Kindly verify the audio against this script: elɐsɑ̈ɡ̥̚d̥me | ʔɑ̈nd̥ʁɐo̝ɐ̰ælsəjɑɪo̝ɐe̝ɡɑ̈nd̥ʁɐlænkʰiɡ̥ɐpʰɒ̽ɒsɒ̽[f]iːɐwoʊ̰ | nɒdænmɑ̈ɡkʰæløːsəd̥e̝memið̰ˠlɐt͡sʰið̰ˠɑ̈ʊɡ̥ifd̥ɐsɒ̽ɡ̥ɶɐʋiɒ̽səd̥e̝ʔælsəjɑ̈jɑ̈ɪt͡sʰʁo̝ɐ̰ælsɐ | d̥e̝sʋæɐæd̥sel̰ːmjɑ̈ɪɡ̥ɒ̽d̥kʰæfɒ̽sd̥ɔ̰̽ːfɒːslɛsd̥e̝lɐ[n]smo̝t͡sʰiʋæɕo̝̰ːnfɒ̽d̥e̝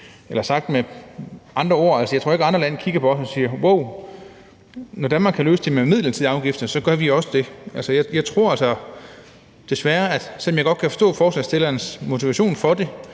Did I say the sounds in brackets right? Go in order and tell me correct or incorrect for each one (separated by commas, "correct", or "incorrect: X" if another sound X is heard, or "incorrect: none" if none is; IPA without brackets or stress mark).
incorrect: s, correct